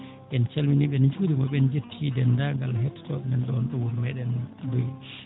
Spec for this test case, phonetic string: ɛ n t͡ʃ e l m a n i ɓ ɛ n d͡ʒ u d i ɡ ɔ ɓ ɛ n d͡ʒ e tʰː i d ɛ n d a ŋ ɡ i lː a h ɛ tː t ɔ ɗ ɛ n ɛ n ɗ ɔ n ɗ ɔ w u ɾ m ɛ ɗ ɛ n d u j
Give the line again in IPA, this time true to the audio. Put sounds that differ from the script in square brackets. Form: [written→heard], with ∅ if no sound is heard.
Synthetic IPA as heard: ɛ n t͡ʃ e l m [a→i] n i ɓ ɛ n d͡ʒ u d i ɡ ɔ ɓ ɛ n d͡ʒ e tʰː i d ɛ n d a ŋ ɡ [i→a] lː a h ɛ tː t ɔ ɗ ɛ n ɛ n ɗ ɔ n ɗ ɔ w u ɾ m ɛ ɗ ɛ n d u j